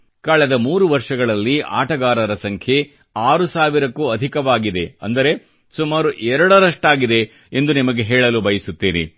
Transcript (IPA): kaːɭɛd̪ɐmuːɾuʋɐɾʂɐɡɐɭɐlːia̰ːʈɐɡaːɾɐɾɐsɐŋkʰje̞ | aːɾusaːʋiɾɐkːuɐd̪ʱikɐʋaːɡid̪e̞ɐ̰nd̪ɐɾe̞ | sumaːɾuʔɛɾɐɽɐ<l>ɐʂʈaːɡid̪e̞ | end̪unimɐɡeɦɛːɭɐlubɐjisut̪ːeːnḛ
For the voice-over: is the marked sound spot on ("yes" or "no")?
no